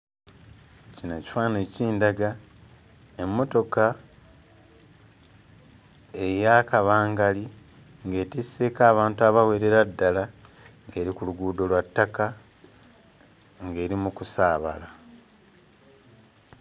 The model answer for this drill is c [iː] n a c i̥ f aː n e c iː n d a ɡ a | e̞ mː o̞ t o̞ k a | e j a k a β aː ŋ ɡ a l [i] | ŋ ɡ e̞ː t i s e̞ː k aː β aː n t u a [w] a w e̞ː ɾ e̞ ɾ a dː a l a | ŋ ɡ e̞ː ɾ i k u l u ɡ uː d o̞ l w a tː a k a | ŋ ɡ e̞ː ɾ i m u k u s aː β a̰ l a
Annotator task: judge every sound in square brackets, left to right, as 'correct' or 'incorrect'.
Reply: incorrect: i, correct, incorrect: β

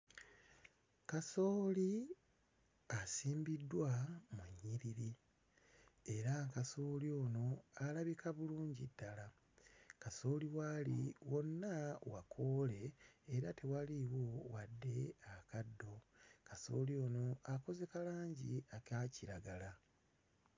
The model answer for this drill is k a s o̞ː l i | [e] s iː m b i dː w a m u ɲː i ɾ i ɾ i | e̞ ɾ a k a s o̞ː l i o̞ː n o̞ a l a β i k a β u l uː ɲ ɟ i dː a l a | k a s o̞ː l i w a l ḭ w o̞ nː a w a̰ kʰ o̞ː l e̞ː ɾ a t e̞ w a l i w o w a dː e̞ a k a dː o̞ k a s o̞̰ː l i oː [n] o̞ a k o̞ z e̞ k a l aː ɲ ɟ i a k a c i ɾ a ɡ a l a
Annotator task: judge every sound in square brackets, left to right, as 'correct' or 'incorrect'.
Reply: incorrect: a, correct

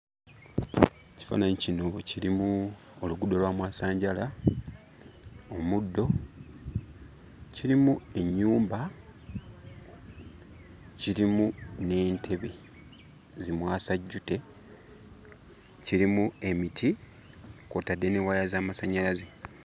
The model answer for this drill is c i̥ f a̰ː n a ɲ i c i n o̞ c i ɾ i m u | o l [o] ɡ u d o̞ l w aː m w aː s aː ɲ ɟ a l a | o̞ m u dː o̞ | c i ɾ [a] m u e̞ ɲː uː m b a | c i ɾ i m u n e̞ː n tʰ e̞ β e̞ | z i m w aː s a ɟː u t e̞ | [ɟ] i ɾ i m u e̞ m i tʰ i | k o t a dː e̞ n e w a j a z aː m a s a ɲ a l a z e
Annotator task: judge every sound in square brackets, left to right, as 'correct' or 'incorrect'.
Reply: incorrect: u, incorrect: i, incorrect: c

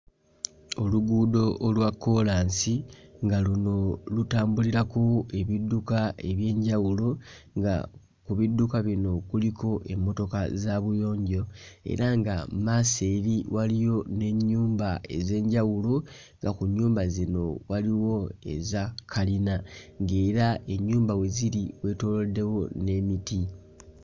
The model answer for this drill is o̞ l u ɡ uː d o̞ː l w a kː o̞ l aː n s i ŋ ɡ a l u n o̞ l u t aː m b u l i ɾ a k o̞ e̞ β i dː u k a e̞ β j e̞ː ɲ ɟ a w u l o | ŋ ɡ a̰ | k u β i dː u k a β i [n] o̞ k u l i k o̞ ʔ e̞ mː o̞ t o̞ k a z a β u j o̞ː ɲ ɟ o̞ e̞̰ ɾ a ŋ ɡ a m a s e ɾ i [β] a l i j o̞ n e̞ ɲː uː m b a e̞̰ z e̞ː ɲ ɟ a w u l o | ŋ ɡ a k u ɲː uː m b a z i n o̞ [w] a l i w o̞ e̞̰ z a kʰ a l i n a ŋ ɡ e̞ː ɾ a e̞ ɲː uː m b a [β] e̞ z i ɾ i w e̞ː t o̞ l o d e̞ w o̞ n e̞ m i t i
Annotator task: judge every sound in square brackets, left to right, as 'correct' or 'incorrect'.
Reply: correct, incorrect: w, correct, incorrect: w

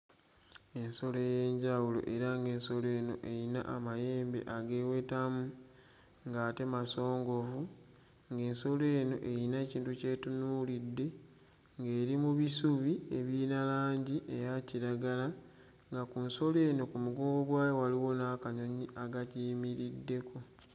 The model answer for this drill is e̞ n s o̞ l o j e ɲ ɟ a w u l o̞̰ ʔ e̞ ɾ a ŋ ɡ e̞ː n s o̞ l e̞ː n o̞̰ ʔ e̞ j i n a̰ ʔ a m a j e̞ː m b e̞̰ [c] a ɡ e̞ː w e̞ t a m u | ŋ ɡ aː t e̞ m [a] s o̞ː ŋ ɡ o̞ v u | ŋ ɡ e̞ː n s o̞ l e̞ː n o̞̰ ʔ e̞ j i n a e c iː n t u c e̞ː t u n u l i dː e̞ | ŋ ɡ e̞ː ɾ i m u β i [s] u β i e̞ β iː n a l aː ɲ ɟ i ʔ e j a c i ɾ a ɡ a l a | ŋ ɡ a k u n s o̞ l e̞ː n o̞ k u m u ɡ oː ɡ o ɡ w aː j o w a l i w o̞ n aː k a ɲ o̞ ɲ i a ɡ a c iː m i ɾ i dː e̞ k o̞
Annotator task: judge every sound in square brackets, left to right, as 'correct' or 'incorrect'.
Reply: incorrect: ʔ, correct, correct

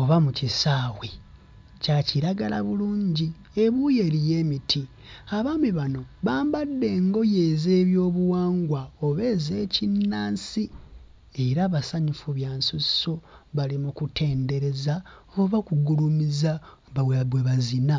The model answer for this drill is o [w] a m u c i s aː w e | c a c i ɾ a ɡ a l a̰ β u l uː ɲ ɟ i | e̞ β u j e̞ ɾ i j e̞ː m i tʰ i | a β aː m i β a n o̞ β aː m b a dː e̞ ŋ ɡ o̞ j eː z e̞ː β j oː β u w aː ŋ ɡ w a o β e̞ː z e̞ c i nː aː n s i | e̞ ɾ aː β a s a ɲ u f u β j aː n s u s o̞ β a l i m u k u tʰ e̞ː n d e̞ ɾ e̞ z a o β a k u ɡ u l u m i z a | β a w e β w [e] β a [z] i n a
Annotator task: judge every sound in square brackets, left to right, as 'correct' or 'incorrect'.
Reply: incorrect: β, correct, correct

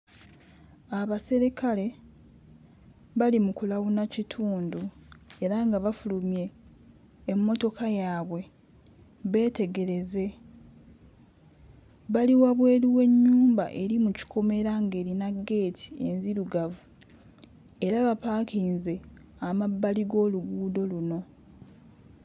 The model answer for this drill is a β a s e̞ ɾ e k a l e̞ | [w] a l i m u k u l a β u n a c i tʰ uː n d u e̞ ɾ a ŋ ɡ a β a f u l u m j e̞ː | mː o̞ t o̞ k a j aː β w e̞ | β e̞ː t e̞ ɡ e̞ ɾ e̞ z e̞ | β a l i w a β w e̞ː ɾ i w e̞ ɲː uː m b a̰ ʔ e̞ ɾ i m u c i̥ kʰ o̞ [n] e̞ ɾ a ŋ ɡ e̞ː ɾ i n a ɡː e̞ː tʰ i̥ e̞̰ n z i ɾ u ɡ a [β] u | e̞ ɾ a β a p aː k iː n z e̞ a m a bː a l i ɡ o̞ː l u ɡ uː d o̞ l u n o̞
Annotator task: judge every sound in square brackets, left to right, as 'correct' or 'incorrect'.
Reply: incorrect: β, incorrect: m, incorrect: v

